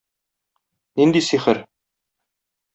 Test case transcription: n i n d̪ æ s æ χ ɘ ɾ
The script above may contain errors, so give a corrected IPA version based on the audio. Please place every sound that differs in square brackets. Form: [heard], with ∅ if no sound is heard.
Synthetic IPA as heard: n i n d̪ [i] s [i] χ ɘ ɾ